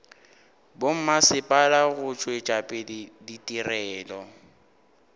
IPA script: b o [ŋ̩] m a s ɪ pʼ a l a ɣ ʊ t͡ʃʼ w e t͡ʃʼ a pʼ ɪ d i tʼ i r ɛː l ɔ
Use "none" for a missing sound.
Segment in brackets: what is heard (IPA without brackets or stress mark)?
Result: m̩